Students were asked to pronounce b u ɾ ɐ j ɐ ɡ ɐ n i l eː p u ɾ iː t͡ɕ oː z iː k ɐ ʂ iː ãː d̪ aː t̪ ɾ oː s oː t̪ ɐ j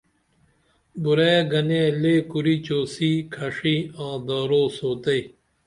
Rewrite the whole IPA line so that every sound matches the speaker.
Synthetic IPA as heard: b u ɾ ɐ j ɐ ɡ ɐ n e l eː k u ɾ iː t͡ɕ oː s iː kʰ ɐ ʂ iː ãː d̪ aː ɾ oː s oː t̪ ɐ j